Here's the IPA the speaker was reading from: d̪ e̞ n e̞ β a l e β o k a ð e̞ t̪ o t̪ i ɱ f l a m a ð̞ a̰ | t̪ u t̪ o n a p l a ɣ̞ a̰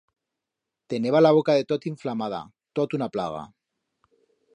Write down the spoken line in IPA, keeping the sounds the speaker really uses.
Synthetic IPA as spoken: t̪ e̞ n e̞ β a l a β o k a ð e̞ t̪ o t̪ i ɱ f l a m a ð̞ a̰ | t̪ o t̪ u n a p l a ɣ̞ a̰